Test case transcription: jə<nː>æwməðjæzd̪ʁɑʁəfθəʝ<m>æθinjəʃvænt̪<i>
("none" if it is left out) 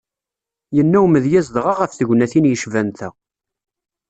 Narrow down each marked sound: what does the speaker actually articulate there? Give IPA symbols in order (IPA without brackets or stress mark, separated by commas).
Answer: nː, n, æ